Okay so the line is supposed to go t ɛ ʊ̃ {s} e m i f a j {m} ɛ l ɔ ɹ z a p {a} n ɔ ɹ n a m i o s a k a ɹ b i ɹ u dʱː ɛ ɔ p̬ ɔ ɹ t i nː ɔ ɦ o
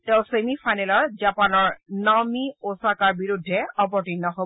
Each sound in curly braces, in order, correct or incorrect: correct, incorrect, correct

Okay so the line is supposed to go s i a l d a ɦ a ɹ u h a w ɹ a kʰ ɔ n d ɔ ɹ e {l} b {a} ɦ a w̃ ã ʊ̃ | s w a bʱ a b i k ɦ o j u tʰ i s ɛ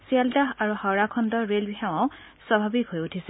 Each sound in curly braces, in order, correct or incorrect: correct, incorrect

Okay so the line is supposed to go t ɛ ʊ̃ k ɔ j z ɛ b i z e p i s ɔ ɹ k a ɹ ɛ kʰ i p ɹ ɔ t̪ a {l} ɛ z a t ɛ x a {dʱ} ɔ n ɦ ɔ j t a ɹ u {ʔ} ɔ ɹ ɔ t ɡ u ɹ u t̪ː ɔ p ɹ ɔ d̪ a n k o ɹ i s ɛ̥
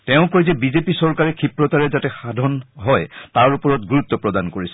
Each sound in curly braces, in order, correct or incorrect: incorrect, correct, incorrect

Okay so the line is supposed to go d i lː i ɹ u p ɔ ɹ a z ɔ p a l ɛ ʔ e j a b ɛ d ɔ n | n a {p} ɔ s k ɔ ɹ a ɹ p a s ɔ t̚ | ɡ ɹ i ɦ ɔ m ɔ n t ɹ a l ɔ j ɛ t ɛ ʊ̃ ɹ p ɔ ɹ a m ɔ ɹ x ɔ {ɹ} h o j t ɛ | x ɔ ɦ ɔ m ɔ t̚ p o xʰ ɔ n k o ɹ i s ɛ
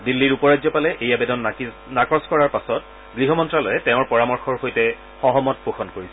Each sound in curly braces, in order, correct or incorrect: incorrect, correct

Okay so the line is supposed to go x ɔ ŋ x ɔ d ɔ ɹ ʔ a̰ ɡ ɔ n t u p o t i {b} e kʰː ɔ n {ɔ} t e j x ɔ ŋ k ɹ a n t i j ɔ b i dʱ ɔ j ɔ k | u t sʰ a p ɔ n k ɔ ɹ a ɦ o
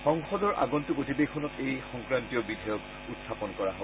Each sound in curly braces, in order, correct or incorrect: correct, correct

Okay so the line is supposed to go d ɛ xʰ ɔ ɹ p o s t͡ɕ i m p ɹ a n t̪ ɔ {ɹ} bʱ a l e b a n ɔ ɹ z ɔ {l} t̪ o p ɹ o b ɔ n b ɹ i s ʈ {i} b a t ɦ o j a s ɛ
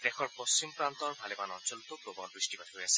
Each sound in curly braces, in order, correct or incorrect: correct, correct, correct

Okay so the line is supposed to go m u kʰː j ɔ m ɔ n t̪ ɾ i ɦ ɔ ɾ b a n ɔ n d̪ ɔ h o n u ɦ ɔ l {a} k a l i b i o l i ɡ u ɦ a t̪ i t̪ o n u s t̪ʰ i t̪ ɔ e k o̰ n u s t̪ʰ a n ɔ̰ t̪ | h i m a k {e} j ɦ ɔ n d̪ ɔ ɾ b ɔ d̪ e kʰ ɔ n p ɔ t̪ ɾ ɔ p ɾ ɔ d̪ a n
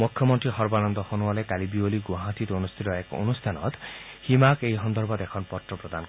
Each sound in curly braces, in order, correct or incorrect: incorrect, correct

